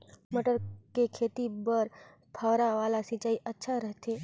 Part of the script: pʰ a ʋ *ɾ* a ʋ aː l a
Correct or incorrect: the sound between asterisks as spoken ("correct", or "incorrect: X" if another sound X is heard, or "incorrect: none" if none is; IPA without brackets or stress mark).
correct